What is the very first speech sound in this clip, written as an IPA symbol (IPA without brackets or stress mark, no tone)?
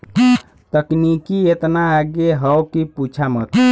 t̪